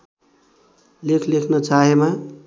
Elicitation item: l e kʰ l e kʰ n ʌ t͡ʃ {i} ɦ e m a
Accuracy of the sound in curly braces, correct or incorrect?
incorrect